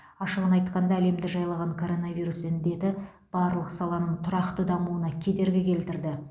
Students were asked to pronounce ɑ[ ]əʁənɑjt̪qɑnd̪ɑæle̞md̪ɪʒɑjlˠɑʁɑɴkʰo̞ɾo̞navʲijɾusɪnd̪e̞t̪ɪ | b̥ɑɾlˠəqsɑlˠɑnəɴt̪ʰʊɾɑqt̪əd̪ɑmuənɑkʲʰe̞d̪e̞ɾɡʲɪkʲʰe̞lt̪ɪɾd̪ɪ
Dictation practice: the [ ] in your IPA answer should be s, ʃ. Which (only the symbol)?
ʃ